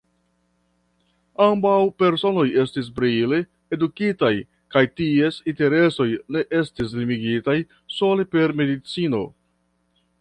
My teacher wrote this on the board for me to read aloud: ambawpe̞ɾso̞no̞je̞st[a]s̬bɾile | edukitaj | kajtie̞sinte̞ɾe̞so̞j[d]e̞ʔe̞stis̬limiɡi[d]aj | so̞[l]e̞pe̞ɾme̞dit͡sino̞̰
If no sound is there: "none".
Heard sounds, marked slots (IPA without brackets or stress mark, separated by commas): i, n, t, l